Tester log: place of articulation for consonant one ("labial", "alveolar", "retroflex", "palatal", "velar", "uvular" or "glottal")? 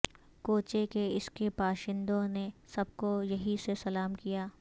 velar